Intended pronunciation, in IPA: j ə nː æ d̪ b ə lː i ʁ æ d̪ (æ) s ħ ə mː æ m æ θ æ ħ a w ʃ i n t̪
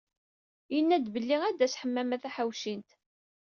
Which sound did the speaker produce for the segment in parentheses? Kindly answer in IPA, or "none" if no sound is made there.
æ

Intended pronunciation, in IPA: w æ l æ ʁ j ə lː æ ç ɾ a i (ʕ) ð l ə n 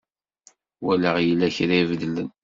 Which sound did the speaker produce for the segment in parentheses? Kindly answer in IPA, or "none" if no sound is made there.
v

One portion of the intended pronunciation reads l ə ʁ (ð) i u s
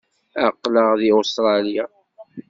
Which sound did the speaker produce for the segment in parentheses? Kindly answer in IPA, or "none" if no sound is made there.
ð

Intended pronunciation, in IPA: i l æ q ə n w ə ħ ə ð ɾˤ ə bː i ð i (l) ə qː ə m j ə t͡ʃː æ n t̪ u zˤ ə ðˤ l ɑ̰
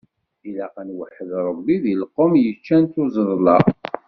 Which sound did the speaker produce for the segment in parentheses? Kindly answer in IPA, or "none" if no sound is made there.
l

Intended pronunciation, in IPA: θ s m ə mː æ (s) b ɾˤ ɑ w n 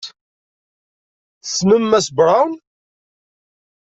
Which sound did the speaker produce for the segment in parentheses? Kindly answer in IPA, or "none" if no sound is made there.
s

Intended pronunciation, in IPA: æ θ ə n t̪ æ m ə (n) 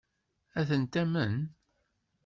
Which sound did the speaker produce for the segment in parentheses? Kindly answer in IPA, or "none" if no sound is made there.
n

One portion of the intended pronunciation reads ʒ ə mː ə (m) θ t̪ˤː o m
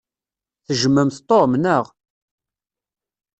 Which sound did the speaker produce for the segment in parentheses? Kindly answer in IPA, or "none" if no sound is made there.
m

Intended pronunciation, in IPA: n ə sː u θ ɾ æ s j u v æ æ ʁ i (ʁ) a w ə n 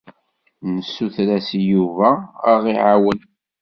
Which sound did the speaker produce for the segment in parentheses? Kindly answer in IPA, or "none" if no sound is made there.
ʕ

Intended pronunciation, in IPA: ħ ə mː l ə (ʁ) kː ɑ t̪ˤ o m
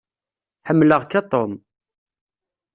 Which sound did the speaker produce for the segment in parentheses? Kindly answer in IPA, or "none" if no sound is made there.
ʁ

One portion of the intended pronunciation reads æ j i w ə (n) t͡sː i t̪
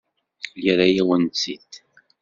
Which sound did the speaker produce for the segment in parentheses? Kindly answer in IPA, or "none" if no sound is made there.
n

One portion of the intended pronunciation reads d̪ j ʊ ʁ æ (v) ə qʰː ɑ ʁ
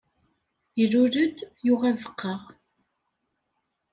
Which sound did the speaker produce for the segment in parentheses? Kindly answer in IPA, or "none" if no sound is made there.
v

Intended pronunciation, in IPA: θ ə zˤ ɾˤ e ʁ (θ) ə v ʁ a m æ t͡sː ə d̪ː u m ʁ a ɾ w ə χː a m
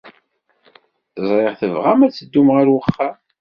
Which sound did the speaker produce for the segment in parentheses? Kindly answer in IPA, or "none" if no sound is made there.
θ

